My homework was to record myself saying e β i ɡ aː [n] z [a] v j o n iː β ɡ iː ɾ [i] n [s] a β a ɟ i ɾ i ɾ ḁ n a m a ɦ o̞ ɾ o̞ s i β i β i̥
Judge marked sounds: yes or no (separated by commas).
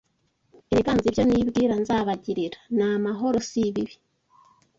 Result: yes, no, no, no